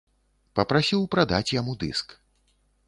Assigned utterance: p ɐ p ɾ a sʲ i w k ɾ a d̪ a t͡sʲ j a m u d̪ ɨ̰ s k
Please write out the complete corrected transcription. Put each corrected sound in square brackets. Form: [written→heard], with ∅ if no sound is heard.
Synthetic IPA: p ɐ p ɾ a sʲ i w [k→p] ɾ a d̪ a t͡sʲ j a m u d̪ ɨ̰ s k